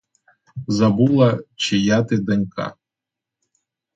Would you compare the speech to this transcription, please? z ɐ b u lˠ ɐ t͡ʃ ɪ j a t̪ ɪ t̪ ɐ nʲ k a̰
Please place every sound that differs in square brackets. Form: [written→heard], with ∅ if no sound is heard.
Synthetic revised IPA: z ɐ b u lˠ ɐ t͡ʃ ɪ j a t̪ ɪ [t̪→d̪] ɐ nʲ k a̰